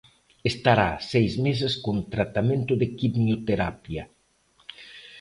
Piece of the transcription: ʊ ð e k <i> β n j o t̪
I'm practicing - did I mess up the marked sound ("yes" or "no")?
no